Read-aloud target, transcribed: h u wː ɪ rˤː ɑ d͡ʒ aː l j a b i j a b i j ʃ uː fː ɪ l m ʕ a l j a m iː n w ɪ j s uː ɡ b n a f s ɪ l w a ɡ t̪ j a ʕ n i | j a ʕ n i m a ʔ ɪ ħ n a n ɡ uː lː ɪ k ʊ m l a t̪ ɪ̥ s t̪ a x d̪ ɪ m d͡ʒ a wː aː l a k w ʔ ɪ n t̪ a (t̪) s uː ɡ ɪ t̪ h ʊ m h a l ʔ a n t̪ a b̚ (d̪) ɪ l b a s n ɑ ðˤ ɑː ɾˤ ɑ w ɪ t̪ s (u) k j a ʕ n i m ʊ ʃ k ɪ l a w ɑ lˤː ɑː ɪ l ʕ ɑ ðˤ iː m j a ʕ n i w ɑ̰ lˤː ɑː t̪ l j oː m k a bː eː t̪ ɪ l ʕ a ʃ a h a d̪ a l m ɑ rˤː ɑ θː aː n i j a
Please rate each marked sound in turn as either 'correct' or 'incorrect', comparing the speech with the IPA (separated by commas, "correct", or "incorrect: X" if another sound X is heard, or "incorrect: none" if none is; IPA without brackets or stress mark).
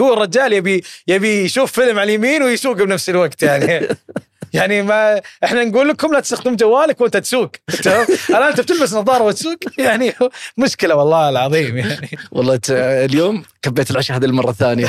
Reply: correct, incorrect: t̪, incorrect: uː